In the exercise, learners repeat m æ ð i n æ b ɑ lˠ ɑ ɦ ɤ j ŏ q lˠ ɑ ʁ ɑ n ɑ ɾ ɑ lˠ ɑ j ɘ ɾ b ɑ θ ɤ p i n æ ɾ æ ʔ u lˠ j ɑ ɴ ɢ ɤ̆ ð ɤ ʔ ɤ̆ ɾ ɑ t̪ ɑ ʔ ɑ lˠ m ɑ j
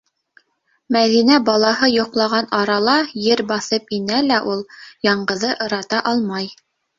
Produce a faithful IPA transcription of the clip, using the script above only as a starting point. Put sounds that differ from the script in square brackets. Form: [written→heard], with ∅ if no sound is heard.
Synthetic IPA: m æ ð i n æ b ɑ lˠ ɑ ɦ ɤ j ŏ q lˠ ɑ ʁ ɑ n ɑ ɾ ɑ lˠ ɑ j ɘ ɾ b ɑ θ ɤ p i n æ [ɾ→l] æ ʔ u lˠ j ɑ ɴ ɢ ɤ̆ ð ɤ ʔ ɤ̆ ɾ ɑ t̪ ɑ ʔ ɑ lˠ m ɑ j